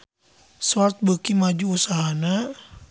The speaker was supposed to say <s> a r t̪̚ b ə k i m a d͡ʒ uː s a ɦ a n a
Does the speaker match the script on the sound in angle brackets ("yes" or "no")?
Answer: yes